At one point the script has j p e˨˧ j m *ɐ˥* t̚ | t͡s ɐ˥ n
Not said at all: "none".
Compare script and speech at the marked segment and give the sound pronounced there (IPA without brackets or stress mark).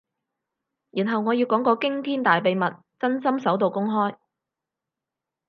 ɐ˨